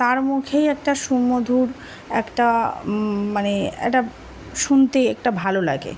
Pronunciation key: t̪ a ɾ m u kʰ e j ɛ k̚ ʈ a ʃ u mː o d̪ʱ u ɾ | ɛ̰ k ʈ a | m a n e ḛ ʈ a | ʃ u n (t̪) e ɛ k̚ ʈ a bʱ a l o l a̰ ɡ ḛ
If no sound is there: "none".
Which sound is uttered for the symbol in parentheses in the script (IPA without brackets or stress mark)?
t̪